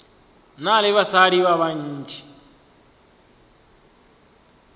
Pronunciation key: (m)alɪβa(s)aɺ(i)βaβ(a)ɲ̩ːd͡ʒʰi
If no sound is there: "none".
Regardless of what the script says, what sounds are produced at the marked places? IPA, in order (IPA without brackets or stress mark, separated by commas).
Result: n, s, i, a